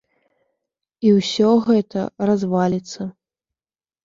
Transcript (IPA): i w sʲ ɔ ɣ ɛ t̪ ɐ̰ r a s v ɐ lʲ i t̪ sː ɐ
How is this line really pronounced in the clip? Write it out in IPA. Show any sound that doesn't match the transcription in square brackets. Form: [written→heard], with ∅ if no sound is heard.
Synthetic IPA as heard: i w sʲ ɔ ɣ ɛ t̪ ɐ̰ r a [s→z] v [ɐ→a] lʲ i t̪ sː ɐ